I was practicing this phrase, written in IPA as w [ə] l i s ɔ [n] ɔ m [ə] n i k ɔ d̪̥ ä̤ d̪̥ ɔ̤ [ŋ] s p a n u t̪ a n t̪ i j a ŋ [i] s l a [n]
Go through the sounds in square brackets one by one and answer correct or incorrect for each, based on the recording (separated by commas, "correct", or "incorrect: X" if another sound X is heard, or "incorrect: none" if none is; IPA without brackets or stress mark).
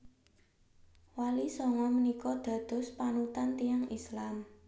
incorrect: a, incorrect: ŋ, correct, incorrect: none, correct, incorrect: m